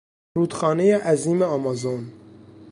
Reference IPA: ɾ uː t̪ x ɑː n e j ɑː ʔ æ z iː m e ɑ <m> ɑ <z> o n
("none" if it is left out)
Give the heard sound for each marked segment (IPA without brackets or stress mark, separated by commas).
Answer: m, z